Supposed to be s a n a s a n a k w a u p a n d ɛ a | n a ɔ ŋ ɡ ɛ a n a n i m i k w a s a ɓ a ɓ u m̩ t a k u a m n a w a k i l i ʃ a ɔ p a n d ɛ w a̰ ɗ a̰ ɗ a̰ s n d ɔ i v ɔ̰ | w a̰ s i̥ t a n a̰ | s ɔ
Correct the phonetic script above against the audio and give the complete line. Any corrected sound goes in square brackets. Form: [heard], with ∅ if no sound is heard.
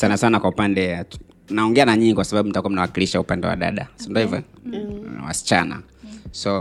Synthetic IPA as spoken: s a n a s a n a k w a u p a n d ɛ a | n a ɔ ŋ ɡ ɛ a n a [ɲ] i [ɲ] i k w a s a ɓ a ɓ u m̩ t a k u a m n a w a k i l i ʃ a [u] p a n d ɛ w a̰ ɗ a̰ ɗ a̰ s n d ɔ i v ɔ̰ | w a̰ s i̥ [t͡ʃ] a n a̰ | s ɔ